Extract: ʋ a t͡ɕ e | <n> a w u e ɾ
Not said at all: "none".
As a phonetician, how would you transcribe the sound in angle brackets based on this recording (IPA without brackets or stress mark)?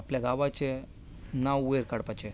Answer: n